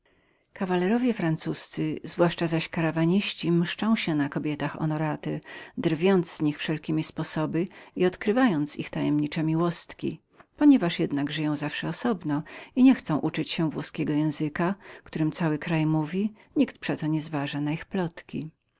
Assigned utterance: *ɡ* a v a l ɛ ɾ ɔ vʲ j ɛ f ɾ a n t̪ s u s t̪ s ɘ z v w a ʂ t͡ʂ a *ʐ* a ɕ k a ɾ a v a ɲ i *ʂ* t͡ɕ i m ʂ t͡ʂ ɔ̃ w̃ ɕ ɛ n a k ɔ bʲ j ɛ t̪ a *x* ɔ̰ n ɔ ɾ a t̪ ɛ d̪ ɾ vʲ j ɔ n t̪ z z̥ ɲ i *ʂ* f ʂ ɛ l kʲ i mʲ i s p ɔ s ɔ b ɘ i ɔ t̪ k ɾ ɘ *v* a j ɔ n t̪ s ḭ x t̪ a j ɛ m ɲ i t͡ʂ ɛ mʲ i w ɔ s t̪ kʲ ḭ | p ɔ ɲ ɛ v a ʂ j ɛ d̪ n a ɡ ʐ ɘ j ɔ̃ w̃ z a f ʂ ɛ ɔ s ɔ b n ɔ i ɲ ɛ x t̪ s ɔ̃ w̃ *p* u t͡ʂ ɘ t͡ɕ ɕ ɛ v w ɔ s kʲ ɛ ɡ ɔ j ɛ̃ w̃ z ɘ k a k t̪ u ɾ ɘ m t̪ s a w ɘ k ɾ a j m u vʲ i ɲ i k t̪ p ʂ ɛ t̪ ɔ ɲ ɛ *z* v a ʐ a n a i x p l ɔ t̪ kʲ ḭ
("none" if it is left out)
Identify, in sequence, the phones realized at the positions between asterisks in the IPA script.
k, z, ɕ, x, x, v, ʔ, z

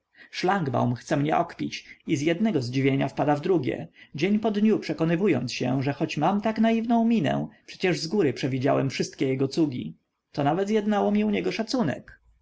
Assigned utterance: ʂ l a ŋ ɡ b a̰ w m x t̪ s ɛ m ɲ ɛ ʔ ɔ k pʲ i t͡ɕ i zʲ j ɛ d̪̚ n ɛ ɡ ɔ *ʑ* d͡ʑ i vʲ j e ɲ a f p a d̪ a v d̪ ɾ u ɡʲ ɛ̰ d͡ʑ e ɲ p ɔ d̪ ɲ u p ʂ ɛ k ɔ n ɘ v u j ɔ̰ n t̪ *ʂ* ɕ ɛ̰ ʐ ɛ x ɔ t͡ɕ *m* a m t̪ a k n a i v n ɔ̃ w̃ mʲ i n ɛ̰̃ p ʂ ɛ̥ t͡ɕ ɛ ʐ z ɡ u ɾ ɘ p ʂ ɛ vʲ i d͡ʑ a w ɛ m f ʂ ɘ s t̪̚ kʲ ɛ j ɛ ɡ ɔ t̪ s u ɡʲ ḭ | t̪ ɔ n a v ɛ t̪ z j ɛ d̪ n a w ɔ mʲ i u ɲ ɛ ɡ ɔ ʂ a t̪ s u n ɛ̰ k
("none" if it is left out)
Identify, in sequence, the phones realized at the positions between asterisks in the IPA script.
z, s, m

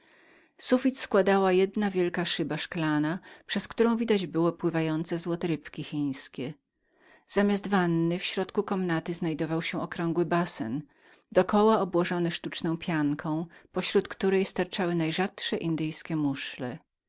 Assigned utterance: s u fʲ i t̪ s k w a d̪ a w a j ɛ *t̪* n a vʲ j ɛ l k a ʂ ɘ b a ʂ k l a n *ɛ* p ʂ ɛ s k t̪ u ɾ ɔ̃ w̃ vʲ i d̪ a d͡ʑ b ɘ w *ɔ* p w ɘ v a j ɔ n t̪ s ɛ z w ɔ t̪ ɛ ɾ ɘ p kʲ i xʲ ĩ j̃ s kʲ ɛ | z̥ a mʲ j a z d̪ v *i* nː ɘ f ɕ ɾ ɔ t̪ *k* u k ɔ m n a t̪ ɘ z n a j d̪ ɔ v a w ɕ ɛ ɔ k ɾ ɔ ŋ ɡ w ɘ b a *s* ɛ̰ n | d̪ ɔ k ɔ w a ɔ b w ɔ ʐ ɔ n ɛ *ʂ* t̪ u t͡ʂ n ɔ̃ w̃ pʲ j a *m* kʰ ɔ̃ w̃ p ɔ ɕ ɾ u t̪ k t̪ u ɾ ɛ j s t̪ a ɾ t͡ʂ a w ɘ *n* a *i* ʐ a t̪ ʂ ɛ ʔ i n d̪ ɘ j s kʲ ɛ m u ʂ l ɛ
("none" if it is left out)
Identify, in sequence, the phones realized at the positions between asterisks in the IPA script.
d̪, a, ɔ, a, k, s, ʂ, ŋ, n, j

